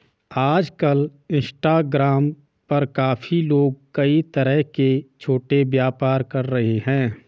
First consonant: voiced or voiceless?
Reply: voiced